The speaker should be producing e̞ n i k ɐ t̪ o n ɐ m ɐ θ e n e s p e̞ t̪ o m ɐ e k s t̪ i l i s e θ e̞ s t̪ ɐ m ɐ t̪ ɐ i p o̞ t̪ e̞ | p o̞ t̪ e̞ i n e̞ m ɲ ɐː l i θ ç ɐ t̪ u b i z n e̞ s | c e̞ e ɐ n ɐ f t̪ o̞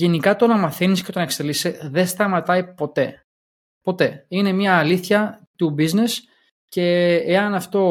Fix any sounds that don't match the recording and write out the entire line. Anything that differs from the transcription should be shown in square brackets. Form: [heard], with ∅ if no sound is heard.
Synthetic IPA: e̞ n i k ɐ t̪ o n ɐ m ɐ θ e n [i] s [c] e̞ t̪ o [n] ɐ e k s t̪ [e] l i s e [ð] e̞ s t̪ ɐ m ɐ t̪ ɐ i p o̞ t̪ e̞ | p o̞ t̪ e̞ i n e̞ m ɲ ɐː l i θ ç ɐ t̪ u b i z n e̞ s | c e̞ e ɐ n ɐ f t̪ o̞